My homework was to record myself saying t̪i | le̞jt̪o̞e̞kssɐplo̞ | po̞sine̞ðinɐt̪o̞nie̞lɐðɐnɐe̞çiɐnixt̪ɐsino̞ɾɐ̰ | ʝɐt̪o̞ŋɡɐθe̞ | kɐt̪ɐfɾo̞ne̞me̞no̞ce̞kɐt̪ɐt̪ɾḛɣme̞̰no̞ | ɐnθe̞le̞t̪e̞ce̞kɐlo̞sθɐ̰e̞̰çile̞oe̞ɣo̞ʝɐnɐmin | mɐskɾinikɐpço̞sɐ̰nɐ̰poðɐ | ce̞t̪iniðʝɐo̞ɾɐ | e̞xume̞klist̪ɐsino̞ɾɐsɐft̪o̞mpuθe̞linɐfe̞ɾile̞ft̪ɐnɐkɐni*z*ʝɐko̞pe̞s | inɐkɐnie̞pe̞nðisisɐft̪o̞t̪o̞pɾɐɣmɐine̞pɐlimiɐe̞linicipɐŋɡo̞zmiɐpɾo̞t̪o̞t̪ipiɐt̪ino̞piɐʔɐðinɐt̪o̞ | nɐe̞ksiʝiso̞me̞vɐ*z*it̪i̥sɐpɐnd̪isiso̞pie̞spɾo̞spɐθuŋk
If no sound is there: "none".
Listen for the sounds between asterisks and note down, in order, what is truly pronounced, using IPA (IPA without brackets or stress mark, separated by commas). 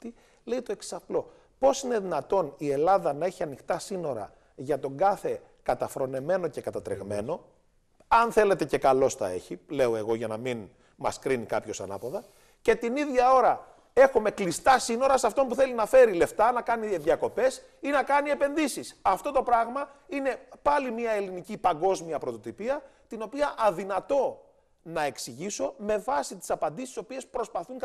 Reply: ð, s